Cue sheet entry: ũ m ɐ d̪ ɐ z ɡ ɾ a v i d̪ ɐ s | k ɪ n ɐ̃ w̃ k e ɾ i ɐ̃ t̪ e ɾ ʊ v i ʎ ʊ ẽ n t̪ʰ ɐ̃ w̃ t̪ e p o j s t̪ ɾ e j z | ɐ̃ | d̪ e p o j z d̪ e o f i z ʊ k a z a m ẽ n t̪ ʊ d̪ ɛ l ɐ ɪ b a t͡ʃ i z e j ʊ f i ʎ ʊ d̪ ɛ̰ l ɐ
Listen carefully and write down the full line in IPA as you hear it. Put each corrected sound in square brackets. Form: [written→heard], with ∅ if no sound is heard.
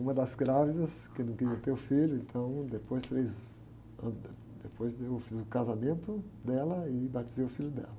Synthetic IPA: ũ m ɐ d̪ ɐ z ɡ ɾ a v i d̪ ɐ s | k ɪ n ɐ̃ w̃ k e ɾ i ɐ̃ t̪ e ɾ ʊ [v→f] i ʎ ʊ ẽ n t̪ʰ ɐ̃ w̃ [t̪→d̪] e p o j s t̪ ɾ e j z | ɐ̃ | d̪ e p o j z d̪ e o f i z ʊ k a z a m ẽ n t̪ ʊ d̪ ɛ l ɐ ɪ b a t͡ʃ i z e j ʊ f i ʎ ʊ d̪ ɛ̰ l ɐ